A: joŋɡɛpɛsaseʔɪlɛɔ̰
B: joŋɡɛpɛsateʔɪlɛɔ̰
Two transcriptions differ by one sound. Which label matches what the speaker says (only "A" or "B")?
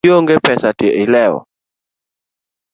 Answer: B